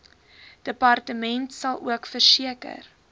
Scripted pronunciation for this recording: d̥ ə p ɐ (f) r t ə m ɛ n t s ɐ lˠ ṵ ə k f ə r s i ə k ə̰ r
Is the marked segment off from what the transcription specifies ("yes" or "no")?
yes